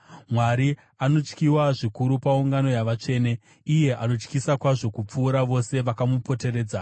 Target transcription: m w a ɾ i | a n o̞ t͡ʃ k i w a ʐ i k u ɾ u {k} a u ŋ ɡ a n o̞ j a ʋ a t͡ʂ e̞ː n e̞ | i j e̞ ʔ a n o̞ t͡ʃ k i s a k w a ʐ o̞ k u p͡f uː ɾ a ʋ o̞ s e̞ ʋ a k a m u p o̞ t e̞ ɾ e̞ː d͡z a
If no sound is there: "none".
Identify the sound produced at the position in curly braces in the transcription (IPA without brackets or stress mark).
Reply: p